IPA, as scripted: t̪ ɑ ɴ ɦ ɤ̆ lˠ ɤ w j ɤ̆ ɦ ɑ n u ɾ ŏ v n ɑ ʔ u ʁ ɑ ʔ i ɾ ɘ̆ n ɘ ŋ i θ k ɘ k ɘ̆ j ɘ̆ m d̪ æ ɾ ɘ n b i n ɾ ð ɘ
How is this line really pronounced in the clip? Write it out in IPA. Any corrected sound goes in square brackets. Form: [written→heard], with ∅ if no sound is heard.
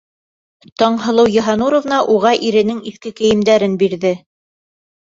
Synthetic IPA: t̪ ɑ ɴ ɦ ɤ̆ lˠ ɤ w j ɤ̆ ɦ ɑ n u ɾ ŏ v n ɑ ʔ u ʁ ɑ ʔ i ɾ ɘ̆ n ɘ ŋ i θ k ɘ k ɘ̆ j ɘ̆ m d̪ æ ɾ ɘ n b i [n→∅] ɾ ð ɘ